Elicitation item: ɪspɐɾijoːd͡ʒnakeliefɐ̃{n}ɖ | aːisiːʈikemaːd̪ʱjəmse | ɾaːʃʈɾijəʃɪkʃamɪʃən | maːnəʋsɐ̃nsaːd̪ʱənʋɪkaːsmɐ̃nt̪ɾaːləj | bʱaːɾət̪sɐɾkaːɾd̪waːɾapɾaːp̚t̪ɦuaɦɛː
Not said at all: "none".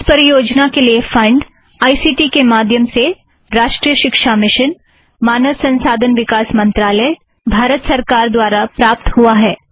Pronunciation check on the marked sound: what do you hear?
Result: ɳ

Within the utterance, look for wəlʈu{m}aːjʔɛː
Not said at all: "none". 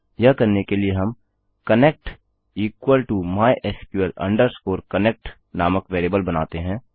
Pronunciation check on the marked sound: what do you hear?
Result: m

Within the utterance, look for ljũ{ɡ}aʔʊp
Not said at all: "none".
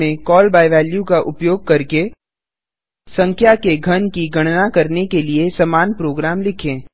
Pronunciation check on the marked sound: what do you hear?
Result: k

